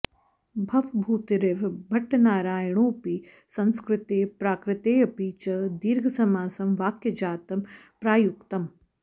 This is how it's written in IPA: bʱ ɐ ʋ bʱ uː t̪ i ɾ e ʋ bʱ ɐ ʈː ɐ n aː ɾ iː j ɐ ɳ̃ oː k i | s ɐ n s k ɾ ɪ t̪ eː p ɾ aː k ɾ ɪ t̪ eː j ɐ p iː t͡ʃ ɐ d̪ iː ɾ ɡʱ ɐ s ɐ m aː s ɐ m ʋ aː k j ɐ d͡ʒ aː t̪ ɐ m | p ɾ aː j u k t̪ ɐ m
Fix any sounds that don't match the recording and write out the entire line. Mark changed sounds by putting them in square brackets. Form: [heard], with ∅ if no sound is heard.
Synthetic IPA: bʱ ɐ ʋ bʱ uː t̪ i ɾ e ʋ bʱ ɐ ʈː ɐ n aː ɾ [aː] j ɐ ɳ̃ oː [p] i | s ɐ n s k ɾ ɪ t̪ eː p ɾ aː k ɾ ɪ t̪ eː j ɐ p iː t͡ʃ ɐ d̪ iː ɾ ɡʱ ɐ s ɐ m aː s ɐ m ʋ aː k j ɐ d͡ʒ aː t̪ ɐ m | p ɾ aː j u k t̪ ɐ m